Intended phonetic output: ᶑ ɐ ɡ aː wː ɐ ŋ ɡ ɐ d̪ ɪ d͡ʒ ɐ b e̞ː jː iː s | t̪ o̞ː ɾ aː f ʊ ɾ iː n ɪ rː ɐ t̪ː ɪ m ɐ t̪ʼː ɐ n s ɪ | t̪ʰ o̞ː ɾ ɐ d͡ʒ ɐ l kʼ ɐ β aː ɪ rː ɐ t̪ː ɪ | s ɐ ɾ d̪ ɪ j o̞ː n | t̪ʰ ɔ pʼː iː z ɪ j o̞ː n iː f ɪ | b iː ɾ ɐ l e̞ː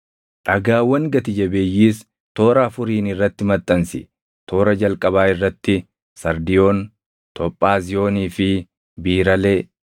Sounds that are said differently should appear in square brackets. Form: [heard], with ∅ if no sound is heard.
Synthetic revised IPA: ᶑ ɐ ɡ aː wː ɐ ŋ ɡ ɐ [t̪] ɪ d͡ʒ ɐ b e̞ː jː iː s | t̪ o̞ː ɾ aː f ʊ ɾ iː n ɪ rː ɐ t̪ː ɪ m ɐ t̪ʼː ɐ n s ɪ | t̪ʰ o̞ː ɾ ɐ d͡ʒ ɐ l kʼ ɐ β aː ɪ rː ɐ t̪ː ɪ | s ɐ ɾ d̪ ɪ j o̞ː n | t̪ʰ ɔ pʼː [aː] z ɪ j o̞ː n iː f ɪ | b iː ɾ ɐ l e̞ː